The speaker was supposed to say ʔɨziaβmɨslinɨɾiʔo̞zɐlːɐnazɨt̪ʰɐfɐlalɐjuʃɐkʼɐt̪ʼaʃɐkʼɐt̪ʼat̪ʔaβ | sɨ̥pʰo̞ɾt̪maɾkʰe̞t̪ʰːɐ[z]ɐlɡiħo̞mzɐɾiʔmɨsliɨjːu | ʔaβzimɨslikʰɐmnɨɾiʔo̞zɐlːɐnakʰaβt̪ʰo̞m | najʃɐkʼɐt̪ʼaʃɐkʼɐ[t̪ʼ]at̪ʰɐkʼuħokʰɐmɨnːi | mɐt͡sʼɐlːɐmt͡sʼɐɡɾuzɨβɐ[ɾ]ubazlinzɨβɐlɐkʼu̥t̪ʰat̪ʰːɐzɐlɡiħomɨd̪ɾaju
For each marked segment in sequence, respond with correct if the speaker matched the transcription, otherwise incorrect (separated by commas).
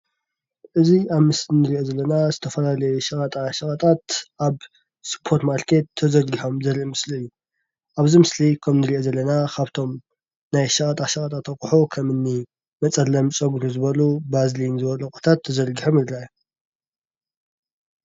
correct, correct, incorrect